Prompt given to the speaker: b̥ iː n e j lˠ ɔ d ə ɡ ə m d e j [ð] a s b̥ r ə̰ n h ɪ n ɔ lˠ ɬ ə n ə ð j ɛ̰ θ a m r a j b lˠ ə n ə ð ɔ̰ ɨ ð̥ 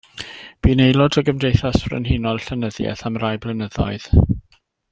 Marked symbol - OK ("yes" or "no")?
no